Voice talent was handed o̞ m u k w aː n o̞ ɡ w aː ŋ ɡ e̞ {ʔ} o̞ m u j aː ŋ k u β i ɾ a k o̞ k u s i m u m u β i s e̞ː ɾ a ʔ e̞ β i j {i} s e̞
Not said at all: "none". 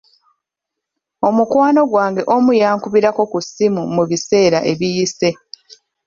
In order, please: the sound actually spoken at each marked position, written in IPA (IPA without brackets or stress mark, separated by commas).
ʔ, i